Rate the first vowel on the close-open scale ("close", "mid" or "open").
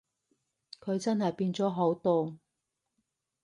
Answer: mid